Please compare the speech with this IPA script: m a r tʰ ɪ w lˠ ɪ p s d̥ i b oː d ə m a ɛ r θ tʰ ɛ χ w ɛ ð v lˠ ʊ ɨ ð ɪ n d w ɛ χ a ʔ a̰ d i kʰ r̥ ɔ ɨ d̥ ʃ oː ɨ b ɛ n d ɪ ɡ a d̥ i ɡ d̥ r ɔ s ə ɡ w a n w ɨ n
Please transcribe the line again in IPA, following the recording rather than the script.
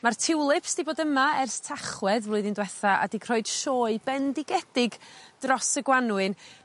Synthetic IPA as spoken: m a r tʰ ɪ w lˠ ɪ p s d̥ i b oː d ə m a ɛ r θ tʰ a χ w ɛ ð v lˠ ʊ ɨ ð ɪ n d w ɛ θ a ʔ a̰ d i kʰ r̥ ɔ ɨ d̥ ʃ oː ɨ b ɛ n d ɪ ɡ ɛ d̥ ɪ ɡ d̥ r ɔ s ə ɡ w a n w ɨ n

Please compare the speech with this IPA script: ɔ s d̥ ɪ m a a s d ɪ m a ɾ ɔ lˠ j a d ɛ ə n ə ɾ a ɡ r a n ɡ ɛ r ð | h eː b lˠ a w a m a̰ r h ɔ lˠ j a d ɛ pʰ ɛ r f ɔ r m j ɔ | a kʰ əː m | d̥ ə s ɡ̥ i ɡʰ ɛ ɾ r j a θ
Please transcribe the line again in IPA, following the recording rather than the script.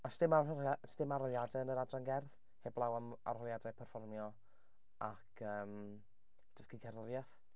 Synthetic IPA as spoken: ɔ s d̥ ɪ m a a s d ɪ m a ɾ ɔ lˠ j a d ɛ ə n ə ɾ a d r a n ɡ ɛ r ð | h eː b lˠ a w a m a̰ r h ɔ lˠ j a d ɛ pʰ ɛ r f ɔ r m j ɔ | a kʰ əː m | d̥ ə s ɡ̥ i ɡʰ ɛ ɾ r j a θ

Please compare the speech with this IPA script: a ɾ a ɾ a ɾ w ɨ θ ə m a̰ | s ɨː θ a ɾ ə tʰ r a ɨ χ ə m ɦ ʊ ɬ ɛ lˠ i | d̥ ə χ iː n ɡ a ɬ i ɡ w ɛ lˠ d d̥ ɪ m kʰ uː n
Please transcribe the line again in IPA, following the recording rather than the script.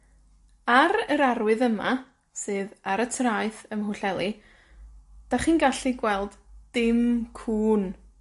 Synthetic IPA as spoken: a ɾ ə ɾ a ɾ w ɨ ð ə m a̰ | s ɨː ð a ɾ ə tʰ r a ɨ θ ə m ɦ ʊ ɬ ɛ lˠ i | d̥ a χ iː n ɡ a ɬ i ɡ w ɛ lˠ d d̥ ɪ m kʰ uː n

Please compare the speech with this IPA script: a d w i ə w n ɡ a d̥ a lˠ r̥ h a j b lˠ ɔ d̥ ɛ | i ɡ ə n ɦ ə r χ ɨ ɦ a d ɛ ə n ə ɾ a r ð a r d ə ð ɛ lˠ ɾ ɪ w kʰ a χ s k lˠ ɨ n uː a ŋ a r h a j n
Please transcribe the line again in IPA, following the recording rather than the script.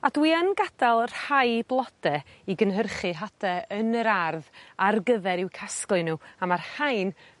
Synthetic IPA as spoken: a d w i ə n ɡ a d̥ a lˠ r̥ h a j b lˠ ɔ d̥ ɛ | i ɡ ə n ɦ ə r χ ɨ ɦ a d ɛ ə n ə ɾ a r ð a r ɡ ə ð ɛ ɾ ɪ w kʰ a s k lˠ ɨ n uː a m a r h a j n

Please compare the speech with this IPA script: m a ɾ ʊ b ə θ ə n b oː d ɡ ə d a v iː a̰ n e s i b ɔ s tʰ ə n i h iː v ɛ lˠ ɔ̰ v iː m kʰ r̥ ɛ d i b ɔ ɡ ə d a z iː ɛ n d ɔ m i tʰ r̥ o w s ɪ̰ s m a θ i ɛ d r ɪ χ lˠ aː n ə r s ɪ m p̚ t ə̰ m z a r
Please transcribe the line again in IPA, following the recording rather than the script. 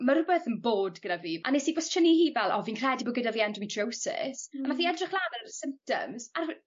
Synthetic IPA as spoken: m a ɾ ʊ b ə θ ə n b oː d ɡ ə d a v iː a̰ n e s i b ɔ s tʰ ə n i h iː v ɛ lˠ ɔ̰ v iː n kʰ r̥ ɛ d i b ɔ ɡ ə d a v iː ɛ n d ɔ m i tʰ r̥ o w s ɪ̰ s m a θ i ɛ d r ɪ χ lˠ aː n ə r s ɪ m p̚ t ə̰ m z a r

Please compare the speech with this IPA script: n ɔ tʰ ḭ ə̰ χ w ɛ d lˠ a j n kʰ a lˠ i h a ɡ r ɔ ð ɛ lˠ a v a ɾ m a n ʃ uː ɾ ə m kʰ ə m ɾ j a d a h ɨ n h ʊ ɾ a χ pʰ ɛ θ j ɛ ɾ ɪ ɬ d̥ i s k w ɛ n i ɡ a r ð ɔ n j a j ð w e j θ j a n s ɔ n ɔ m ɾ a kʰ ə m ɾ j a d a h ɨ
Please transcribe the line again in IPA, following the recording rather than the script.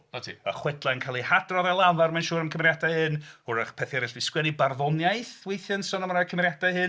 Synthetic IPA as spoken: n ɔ tʰ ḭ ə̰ χ w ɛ d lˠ a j n kʰ a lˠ i h a d r ɔ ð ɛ lˠ a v a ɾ m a n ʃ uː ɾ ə m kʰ ə m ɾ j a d a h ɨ n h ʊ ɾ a χ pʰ ɛ θ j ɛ ɾ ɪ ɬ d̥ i s k w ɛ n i b a r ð ɔ n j a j θ w e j θ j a n s ɔ n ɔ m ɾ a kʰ ə m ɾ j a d a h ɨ

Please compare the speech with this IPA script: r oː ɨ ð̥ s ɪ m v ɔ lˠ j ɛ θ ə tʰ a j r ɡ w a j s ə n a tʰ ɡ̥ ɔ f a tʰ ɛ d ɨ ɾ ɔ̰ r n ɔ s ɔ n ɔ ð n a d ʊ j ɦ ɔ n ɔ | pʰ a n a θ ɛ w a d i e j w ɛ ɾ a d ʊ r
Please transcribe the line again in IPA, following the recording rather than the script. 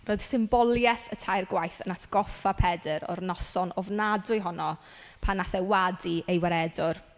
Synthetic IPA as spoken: r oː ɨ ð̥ s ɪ m b ɔ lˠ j ɛ θ ə tʰ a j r ɡ w a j θ ə n a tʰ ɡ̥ ɔ f a pʰ ɛ d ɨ ɾ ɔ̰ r n ɔ s ɔ n ɔ v n a d ʊ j ɦ ɔ n ɔ | pʰ a n a θ ɛ w a d i e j w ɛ ɾ ɛ d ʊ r

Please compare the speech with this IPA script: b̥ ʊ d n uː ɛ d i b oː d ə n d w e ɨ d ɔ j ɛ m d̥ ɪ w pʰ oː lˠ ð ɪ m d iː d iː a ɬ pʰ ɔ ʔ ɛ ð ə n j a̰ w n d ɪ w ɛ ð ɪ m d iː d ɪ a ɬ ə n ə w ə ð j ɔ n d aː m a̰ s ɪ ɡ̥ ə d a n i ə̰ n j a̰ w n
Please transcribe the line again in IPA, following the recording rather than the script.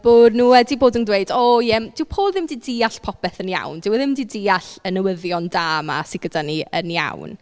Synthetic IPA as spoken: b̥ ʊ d n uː ɛ d i b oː d ə n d w e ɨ d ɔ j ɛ m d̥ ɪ w pʰ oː lˠ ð ɪ m d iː d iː a ɬ pʰ ɔ p ɛ θ ə n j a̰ w n d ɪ w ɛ ð ɪ m d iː d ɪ a ɬ ə n ə w ə ð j ɔ n d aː m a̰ s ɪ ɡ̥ ə d a n i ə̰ n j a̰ w n

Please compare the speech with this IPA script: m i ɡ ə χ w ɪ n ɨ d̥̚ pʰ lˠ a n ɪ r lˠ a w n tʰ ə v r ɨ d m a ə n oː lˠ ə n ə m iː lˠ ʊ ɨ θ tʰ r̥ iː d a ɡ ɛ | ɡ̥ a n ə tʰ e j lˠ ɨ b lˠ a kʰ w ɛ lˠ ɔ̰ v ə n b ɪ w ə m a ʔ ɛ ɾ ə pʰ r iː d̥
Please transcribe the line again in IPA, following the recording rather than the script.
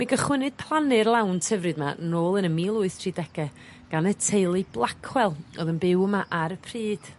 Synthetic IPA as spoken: m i ɡ ə χ w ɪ n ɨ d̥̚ pʰ lˠ a n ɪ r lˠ a w n tʰ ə v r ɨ d m a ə n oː lˠ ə n ə m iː lˠ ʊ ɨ θ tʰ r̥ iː d ɛ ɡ ɛ | ɡ̥ a n ə tʰ e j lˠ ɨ b lˠ a kʰ w ɛ lˠ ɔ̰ ð ə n b ɪ w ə m a ʔ a ɾ ə pʰ r iː d̥

